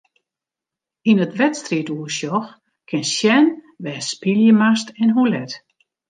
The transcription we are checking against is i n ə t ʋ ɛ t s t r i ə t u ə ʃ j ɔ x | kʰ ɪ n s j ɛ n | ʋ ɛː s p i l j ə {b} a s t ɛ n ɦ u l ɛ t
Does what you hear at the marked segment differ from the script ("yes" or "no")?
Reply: yes